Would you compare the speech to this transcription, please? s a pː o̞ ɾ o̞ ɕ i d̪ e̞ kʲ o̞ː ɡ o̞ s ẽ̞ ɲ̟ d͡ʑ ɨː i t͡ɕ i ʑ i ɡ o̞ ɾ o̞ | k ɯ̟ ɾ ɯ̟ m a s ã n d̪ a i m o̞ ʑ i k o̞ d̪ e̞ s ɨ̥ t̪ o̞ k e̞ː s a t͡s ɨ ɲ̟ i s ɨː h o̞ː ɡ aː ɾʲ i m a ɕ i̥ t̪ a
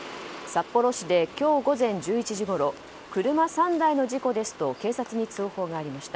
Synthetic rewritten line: s a pː o̞ ɾ o̞ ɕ i d̪ e̞ kʲ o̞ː ɡ o̞ z ẽ̞ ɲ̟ d͡ʑ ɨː i t͡ɕ i ʑ i ɡ o̞ ɾ o̞ | k ɯ̟ ɾ ɯ̟ m a s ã n d̪ a i n o̞ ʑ i k o̞ d̪ e̞ s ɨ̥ t̪ o̞ k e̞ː s a t͡s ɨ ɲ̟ i t͡s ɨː h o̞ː ɡ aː ɾʲ i m a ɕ i̥ t̪ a